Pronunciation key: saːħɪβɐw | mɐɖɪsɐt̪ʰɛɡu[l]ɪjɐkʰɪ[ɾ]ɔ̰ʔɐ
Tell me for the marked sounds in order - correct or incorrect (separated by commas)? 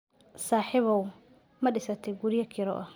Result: incorrect, correct